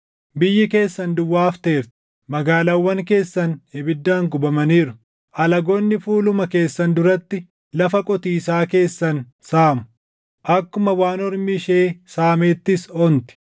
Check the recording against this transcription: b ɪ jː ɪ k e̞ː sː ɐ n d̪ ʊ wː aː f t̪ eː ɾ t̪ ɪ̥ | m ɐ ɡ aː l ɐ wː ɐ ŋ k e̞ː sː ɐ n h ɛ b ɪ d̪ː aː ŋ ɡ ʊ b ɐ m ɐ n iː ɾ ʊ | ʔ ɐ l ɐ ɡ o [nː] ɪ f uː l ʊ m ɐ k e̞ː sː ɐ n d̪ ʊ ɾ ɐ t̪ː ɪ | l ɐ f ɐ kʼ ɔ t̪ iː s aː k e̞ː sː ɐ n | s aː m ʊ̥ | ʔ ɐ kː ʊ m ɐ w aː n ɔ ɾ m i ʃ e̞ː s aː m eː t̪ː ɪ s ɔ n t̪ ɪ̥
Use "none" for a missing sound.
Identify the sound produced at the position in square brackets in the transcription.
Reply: nː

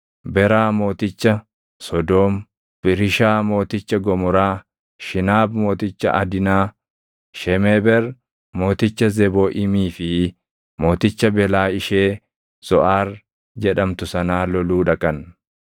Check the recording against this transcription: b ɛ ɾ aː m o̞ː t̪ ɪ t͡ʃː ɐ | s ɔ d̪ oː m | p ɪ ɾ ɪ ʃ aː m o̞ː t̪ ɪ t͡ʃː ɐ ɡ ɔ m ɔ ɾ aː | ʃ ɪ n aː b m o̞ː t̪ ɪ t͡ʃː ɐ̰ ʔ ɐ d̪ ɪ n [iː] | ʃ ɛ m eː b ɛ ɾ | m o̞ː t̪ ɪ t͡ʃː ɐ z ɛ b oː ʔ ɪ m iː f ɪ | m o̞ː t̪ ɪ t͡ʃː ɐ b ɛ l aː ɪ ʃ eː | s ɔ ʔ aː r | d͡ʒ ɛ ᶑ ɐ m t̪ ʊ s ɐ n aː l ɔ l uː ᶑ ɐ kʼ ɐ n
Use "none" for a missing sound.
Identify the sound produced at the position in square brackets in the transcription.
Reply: aː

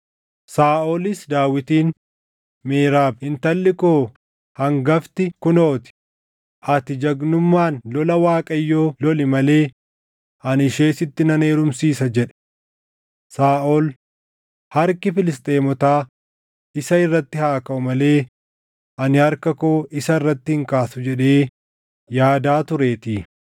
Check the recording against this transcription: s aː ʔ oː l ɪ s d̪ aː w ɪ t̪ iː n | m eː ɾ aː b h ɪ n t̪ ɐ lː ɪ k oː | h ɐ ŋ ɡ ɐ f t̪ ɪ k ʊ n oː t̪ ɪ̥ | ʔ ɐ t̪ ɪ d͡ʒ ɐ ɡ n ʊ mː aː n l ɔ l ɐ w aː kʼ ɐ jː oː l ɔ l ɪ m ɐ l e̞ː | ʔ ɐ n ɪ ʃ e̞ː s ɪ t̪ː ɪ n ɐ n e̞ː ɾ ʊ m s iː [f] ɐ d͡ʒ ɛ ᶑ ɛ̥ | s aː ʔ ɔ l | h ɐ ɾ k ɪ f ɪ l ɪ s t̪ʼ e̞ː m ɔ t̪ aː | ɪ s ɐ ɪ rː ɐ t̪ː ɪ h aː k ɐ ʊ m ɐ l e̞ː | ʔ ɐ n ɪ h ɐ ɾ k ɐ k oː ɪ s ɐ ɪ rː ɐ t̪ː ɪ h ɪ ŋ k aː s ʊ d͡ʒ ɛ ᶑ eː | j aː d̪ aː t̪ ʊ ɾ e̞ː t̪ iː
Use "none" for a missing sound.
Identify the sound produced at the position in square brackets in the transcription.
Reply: s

